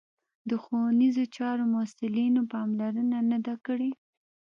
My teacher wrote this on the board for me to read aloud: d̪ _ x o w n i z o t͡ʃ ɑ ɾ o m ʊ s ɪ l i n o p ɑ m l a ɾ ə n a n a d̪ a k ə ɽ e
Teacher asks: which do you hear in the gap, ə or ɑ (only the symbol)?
ə